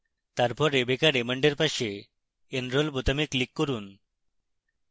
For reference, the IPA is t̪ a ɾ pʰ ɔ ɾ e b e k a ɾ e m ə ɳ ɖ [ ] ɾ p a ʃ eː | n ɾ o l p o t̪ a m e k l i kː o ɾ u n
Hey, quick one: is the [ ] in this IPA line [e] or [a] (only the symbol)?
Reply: e